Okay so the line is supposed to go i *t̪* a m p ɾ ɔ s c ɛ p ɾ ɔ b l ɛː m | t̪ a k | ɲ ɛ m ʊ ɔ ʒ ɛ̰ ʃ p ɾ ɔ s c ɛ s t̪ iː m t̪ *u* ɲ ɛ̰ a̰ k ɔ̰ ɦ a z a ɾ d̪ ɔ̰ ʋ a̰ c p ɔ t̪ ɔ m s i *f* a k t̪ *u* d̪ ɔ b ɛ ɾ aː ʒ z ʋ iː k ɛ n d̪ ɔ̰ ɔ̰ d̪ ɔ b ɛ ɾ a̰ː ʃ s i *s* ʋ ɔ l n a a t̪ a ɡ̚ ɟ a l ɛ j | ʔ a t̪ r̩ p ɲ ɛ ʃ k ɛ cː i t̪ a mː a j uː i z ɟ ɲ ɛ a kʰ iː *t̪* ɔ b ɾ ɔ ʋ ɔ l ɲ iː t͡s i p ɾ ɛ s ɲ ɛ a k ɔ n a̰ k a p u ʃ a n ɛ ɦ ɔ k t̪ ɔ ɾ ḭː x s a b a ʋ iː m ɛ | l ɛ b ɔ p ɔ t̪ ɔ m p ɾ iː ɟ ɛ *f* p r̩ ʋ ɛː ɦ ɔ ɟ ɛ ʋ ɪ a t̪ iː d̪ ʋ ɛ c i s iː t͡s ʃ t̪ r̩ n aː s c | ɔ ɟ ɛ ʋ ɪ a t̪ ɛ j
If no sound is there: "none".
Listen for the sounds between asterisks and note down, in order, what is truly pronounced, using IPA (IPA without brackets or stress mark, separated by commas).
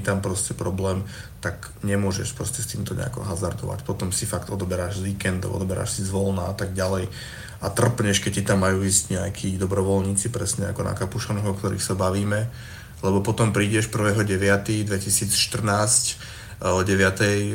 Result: t̪, ɔ, f, ɔ, z, d̪, ʃ